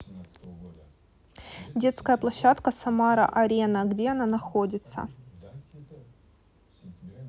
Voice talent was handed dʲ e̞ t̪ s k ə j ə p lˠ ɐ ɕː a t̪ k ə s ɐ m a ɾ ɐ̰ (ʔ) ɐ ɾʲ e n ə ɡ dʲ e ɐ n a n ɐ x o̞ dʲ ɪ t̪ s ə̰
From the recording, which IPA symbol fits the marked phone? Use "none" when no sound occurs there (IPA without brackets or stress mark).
ʔ